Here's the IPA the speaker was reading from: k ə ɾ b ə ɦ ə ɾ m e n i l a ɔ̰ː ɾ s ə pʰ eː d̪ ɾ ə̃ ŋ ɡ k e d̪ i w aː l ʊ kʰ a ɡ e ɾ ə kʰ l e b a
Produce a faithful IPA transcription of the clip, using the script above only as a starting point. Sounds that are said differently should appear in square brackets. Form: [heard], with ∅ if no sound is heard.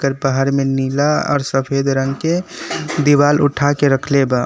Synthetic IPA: k ə ɾ b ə ɦ ə ɾ m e n i l a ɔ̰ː ɾ s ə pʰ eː d̪ ɾ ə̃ ŋ ɡ k e d̪ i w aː l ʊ [ʈʰ] a [k] e ɾ ə kʰ l e b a